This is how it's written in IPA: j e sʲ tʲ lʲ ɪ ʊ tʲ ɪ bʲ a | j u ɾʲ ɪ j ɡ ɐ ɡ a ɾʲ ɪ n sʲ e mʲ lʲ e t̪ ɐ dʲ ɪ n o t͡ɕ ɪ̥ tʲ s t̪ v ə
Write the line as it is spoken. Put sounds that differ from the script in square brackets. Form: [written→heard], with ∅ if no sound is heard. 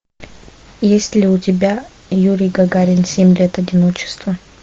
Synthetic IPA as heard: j e sʲ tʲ lʲ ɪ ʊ tʲ ɪ bʲ a | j u ɾʲ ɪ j ɡ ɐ ɡ a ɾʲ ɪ n sʲ e mʲ lʲ e t̪ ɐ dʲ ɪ n o t͡ɕ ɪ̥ [tʲ→∅] s t̪ v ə